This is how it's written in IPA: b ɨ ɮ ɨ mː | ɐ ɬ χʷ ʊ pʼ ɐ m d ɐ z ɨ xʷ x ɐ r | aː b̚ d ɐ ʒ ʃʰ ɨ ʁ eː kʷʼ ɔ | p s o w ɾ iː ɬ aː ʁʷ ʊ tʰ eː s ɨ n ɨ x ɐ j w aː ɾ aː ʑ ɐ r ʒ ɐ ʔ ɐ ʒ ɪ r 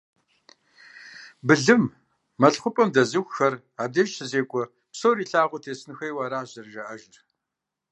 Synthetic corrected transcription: b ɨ ɮ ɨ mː | ɐ ɬ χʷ ʊ pʼ ɐ m d ɐ z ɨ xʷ x ɐ r | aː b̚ d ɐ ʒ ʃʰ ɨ z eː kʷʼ ɔ | p s o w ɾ iː ɬ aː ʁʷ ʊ tʰ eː s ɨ n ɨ x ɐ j w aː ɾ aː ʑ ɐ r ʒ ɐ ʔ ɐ ʒ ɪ r